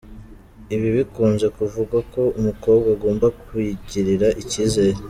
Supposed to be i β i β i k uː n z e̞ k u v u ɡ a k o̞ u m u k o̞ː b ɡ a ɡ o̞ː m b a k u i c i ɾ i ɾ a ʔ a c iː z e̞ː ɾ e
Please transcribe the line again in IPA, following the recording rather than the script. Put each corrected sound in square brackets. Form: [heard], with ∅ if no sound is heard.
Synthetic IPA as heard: i β i β i k uː n z e̞ k u v u ɡ a k o̞ u m u k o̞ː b ɡ a ɡ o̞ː m b a k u i [ɟ] i ɾ i ɾ a ʔ [i] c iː z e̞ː ɾ e